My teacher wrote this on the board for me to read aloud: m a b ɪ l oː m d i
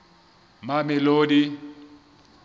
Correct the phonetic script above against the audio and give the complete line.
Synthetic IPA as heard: m a m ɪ l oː d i